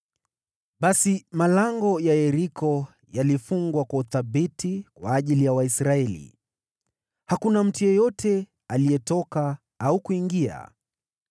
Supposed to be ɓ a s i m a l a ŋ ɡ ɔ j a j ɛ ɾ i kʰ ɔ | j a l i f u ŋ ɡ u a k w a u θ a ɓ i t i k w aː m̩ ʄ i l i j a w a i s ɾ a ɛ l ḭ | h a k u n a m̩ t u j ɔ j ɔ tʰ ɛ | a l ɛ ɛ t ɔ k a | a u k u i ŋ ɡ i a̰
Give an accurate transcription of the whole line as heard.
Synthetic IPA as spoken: ɓ a s i m a l a ŋ ɡ ɔ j a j ɛ ɾ i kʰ ɔ | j a l i f u ŋ ɡ w a k w a u θ a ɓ i t i k w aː ʄ i l i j a w a i s ɾ a ɛ l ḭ | h a k u n a m̩ t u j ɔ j ɔ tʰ ɛ | a l i ɛ t ɔ k a | a u k u i ŋ ɡ i a̰